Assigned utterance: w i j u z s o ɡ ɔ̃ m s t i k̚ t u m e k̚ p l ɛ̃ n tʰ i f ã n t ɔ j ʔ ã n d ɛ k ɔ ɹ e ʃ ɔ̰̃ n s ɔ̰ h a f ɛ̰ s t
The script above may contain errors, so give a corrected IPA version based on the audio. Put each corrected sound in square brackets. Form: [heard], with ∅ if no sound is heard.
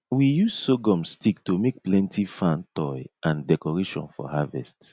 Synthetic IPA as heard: w i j u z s o ɡ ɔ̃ m s t i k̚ t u m e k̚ p l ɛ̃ n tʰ i f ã n t ɔ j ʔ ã n d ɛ k ɔ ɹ e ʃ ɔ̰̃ n [f] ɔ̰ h a [v] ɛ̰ s t